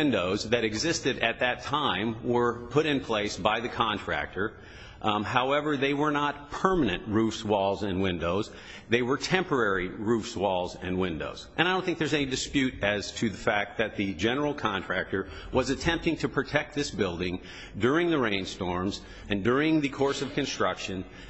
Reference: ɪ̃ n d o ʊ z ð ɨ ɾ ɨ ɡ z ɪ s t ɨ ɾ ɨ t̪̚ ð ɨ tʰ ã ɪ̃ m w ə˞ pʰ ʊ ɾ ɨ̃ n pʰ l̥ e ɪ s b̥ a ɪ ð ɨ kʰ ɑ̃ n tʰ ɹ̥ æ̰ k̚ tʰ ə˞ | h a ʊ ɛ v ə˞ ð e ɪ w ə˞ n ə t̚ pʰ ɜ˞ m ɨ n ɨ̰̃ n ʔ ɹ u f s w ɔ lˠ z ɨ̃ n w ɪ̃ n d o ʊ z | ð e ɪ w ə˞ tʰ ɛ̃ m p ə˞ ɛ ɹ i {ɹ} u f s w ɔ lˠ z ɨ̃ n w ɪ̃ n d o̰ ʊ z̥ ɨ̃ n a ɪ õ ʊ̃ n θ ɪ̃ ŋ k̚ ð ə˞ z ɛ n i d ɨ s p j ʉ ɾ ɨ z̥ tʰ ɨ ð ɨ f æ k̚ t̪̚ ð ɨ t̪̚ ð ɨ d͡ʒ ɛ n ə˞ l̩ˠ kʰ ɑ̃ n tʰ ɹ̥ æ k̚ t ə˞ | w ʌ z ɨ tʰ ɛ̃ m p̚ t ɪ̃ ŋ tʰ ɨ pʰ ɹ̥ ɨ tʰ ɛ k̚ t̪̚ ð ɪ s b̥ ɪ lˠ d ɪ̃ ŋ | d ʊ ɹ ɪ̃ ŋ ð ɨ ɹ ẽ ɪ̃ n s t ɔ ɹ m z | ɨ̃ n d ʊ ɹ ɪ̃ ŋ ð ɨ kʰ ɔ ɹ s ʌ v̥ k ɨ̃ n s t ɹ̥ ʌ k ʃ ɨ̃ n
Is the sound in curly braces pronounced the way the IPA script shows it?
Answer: yes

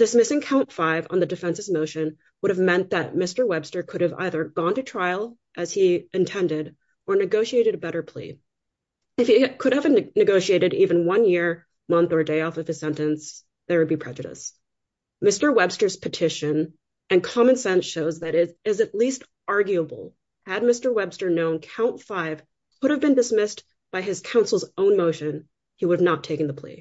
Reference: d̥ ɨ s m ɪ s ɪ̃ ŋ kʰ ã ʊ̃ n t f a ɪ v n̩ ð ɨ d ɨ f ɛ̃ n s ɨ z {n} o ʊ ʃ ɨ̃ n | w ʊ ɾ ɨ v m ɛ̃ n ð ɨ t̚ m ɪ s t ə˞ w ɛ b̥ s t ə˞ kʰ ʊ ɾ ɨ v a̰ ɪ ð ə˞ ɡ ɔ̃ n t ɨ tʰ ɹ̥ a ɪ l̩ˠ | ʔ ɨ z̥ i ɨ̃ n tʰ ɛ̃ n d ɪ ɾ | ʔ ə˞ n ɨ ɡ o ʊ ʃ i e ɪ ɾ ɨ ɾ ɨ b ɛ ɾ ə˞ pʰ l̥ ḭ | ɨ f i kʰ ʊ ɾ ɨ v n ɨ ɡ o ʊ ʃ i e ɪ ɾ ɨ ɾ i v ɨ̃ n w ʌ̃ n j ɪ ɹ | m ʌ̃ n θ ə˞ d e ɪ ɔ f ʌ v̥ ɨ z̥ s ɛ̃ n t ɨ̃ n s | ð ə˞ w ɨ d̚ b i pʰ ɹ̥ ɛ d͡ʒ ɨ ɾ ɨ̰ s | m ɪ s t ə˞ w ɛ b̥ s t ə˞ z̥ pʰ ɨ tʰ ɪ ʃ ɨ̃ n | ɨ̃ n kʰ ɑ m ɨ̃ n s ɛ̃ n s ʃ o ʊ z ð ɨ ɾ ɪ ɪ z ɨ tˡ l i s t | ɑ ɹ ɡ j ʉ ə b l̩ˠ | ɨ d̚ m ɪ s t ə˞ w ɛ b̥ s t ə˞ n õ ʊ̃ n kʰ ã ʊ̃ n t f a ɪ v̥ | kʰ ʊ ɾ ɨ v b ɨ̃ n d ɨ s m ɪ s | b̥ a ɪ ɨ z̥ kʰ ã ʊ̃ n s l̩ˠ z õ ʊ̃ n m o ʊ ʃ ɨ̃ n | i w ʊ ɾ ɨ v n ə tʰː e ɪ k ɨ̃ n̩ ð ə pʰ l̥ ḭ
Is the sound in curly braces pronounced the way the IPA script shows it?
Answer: no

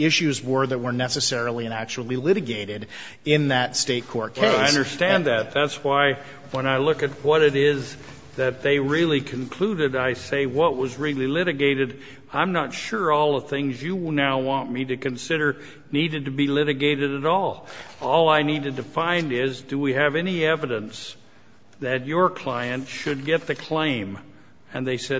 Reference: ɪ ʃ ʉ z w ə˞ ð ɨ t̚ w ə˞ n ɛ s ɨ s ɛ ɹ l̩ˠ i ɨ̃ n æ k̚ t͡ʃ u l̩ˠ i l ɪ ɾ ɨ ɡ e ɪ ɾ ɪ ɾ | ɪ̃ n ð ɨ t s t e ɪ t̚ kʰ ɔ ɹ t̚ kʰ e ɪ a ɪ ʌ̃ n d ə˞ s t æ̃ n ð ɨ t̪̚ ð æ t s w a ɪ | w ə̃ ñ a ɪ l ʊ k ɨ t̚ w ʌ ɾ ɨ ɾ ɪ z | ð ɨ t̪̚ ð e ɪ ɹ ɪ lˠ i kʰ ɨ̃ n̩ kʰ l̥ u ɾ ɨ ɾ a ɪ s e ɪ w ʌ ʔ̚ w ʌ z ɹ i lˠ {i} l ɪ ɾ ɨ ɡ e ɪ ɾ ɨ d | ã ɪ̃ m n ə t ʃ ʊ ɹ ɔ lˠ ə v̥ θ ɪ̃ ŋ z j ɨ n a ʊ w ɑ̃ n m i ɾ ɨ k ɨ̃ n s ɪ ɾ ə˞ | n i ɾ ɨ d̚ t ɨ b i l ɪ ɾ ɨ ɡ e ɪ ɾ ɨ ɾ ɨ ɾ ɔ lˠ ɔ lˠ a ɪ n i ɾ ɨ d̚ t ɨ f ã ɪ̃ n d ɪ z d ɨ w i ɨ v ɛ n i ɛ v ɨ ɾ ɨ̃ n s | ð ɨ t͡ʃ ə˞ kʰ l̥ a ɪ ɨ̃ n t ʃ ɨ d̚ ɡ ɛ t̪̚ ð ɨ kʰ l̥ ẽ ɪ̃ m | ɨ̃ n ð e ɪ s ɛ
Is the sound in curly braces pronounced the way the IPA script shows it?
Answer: yes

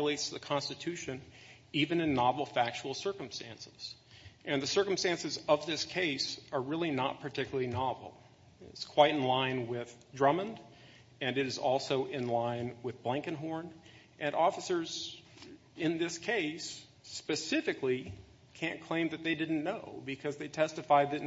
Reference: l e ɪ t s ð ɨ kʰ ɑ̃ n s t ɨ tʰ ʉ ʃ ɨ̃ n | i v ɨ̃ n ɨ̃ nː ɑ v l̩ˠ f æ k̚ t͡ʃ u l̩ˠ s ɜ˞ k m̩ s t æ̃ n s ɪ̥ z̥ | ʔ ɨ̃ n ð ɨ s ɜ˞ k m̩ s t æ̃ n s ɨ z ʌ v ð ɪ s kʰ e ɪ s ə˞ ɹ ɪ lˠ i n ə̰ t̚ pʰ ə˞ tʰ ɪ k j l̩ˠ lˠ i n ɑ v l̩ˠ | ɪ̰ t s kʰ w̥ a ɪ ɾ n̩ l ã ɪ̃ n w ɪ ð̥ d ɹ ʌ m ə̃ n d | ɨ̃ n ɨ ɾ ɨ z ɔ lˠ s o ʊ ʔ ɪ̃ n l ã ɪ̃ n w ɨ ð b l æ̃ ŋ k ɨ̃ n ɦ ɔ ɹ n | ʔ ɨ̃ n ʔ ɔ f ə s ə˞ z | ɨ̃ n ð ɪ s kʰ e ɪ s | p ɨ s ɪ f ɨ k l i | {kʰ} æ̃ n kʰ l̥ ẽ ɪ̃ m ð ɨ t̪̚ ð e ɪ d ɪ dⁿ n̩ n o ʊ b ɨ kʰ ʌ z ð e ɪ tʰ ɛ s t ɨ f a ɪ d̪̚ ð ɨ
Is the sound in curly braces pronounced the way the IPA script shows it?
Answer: yes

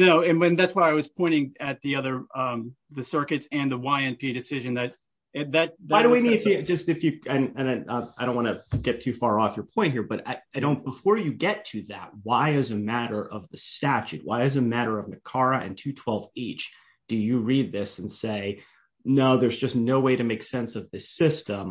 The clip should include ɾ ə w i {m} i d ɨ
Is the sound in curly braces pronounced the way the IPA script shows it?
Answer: no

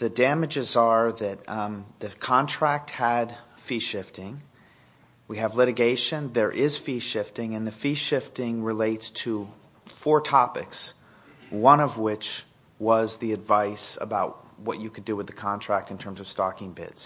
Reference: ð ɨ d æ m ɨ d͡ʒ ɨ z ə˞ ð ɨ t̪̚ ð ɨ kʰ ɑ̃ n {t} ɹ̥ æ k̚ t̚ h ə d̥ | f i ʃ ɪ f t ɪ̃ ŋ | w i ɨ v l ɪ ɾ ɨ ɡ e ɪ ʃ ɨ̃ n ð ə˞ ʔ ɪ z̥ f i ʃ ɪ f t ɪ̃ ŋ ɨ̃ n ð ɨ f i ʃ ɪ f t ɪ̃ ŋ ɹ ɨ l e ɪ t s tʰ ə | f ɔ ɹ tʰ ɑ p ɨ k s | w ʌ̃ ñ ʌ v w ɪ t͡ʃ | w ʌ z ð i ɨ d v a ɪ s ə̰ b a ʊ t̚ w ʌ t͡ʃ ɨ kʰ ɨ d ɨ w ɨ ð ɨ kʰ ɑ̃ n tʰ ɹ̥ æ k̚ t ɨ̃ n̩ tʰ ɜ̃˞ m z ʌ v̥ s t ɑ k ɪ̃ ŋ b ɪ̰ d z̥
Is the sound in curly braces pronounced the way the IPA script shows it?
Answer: no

